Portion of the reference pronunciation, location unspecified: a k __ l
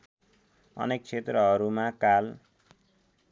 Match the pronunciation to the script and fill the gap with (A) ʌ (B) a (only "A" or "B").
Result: B